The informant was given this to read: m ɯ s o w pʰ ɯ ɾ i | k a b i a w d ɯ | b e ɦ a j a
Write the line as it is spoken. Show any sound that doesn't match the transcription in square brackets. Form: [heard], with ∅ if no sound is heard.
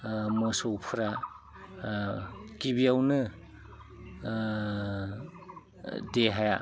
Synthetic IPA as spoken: m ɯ s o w pʰ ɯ ɾ [a] | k [i] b i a w [n] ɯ | [d] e ɦ a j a